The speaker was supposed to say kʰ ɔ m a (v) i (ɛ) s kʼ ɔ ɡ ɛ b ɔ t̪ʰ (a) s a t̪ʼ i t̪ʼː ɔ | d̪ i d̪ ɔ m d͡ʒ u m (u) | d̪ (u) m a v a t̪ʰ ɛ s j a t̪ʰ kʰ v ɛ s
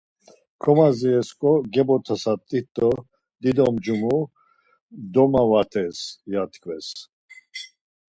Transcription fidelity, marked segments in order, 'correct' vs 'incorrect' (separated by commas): incorrect, correct, correct, correct, incorrect